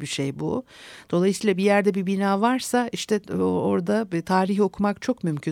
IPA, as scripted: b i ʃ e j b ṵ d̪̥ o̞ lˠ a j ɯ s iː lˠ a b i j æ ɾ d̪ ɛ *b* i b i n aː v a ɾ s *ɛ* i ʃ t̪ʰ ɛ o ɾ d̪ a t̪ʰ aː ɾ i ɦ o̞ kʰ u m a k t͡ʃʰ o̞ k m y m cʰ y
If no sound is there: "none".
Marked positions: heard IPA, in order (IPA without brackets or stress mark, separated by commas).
b, a